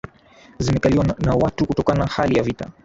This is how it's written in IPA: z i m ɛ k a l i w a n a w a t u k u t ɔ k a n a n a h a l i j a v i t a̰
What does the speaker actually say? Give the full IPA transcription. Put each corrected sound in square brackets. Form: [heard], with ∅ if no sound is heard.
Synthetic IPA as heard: z i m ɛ k a l i w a n a w a t u k u t ɔ k a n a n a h a l i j a v i t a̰